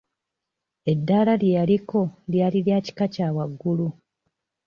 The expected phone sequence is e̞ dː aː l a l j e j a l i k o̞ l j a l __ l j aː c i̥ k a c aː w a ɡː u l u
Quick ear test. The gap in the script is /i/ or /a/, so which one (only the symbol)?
i